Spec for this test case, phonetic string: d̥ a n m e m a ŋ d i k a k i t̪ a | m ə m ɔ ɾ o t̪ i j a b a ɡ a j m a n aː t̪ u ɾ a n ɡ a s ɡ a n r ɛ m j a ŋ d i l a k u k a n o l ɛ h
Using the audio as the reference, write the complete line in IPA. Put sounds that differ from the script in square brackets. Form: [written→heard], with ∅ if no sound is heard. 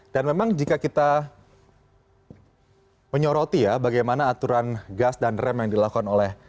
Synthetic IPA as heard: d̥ a n m e m a ŋ [d→d͡ʒ] i k a k i t̪ a | m ə [m→ɲ] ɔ ɾ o t̪ i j a b a ɡ a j m a n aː t̪ u ɾ a n ɡ a s [ɡ→d] a n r ɛ m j a ŋ d i l a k u k a n o l ɛ h